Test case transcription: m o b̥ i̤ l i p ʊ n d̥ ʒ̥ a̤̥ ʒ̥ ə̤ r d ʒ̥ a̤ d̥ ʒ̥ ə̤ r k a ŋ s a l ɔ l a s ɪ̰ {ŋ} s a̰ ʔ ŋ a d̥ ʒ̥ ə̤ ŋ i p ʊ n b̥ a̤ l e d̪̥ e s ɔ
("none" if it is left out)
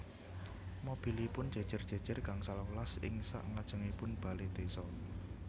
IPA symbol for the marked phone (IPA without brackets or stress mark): ŋ